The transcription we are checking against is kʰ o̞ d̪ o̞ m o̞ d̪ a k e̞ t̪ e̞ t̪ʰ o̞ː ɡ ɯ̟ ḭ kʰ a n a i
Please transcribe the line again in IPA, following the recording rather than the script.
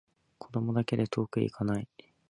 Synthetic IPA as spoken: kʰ o̞ d̪ o̞ m o̞ d̪ a k e̞ d̪ e̞ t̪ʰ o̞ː k ɯ̟ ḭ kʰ a n a i